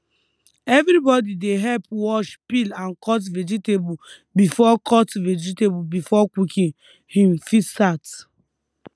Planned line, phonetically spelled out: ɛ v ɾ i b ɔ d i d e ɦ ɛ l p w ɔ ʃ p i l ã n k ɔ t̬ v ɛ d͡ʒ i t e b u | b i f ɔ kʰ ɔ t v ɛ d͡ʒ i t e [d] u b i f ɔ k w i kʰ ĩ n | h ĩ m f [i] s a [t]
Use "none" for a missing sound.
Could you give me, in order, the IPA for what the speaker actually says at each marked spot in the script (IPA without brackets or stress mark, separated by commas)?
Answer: b, i, t